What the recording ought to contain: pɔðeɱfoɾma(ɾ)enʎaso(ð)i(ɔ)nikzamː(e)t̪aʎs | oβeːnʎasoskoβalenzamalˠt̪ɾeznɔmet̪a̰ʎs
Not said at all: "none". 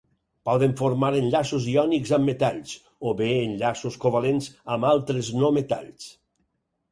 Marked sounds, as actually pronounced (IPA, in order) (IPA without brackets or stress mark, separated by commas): ɾ, z, ɔ, e